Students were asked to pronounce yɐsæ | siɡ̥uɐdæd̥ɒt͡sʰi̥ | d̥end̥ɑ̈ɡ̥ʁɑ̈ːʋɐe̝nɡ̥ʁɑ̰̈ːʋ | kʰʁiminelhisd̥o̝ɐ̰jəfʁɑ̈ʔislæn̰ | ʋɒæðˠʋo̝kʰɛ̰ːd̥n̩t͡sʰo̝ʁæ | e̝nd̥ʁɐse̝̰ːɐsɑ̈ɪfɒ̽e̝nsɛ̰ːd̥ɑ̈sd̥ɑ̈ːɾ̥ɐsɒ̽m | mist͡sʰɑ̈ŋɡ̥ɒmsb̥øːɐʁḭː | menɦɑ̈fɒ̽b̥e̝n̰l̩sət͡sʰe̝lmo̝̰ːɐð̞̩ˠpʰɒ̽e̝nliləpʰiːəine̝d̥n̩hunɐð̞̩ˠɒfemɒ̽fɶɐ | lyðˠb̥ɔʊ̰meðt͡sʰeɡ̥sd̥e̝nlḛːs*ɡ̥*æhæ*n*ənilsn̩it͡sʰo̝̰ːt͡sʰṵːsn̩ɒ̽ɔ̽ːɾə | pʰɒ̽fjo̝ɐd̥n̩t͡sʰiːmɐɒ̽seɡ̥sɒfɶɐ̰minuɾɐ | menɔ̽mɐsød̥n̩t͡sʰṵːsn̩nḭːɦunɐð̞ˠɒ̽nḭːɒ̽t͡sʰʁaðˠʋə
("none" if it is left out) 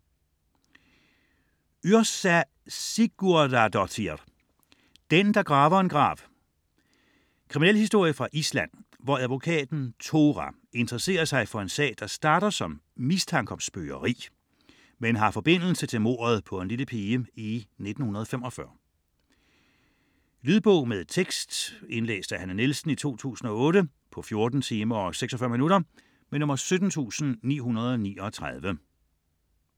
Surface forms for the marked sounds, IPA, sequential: d̥, n

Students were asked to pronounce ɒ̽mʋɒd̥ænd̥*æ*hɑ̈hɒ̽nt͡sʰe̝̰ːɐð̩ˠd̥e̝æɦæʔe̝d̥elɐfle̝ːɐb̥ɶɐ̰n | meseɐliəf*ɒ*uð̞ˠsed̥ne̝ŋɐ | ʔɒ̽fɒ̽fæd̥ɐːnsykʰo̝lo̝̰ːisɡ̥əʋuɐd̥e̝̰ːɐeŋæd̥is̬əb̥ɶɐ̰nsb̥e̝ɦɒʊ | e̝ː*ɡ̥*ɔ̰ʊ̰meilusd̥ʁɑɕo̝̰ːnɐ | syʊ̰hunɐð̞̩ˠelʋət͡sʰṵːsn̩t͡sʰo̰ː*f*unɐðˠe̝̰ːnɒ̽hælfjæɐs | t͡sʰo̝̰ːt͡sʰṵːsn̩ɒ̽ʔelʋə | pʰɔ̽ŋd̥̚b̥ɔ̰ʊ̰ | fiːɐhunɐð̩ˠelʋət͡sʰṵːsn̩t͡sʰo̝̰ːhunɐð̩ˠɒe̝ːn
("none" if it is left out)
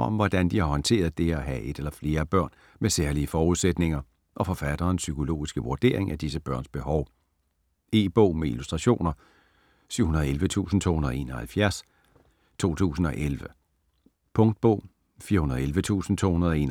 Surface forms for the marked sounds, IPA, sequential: i, ɒː, b̥, h

